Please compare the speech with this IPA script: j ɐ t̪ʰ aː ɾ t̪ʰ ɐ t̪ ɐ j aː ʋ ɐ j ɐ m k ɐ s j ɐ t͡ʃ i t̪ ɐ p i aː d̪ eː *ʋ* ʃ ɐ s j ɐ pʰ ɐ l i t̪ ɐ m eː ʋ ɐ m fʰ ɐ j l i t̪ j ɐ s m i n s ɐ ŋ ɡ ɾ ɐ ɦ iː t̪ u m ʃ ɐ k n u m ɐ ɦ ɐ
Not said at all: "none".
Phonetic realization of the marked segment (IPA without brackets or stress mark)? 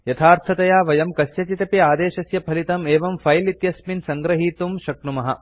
none